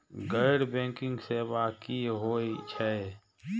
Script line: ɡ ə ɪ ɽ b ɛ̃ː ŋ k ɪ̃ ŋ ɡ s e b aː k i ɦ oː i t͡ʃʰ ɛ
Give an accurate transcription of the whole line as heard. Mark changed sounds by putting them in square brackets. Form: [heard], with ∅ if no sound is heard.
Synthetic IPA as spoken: ɡ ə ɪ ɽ b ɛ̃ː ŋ k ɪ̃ ŋ ɡ s e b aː k i ɦ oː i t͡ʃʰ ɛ